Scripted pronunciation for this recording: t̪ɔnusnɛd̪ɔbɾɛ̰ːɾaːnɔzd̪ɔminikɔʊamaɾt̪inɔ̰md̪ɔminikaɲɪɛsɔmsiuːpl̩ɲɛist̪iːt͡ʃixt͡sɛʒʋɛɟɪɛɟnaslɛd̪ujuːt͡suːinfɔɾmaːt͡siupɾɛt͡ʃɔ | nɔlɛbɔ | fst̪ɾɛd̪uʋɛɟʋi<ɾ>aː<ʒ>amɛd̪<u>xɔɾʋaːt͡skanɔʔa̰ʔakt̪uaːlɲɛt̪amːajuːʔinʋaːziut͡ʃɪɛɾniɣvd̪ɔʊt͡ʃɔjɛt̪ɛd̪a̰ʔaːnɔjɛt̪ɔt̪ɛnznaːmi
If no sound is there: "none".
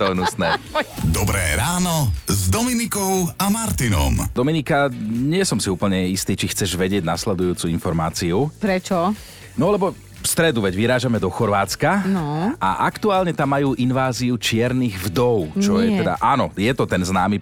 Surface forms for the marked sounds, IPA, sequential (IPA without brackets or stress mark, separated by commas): ɾ, ʒ, ɔ